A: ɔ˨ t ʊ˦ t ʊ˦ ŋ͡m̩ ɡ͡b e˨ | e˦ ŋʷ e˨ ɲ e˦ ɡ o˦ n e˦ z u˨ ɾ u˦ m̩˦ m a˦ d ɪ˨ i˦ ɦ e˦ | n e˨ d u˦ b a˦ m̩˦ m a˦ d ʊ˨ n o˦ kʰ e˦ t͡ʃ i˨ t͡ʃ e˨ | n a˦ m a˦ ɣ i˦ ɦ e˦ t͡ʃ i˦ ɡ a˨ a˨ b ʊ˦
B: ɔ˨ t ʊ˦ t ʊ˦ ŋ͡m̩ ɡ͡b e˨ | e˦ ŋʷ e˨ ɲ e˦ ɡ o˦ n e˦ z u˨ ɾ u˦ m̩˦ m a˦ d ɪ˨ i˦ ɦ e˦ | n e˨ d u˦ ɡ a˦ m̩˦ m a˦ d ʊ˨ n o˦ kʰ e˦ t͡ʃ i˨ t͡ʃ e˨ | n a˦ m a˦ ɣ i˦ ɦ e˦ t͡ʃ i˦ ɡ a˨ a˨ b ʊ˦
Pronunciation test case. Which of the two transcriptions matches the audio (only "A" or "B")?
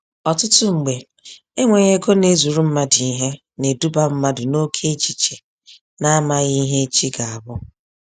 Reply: A